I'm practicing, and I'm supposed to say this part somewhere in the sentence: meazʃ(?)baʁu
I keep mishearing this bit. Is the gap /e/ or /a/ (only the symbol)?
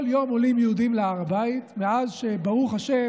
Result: e